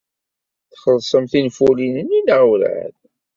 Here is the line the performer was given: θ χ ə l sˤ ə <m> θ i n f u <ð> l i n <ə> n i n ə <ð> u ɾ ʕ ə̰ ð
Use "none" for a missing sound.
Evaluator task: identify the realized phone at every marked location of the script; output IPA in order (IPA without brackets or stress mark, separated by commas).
m, none, ə, ʁ